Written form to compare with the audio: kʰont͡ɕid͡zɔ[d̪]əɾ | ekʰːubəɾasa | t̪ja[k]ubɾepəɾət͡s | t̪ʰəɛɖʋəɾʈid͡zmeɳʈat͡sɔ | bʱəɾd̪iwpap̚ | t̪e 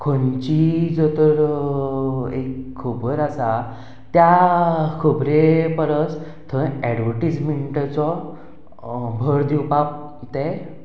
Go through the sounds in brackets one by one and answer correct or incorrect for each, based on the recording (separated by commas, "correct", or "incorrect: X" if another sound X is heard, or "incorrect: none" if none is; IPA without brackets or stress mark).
incorrect: t̪, incorrect: kʰ